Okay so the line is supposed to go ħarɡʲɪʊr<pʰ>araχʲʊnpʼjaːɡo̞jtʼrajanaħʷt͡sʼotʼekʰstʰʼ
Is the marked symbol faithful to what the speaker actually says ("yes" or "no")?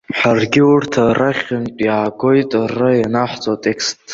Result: no